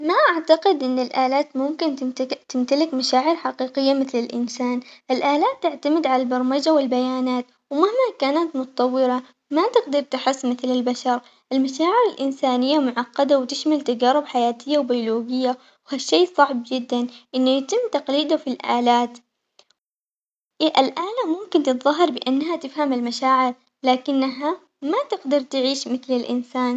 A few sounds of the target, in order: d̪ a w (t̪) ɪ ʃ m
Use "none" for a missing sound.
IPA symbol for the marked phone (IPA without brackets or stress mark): t̪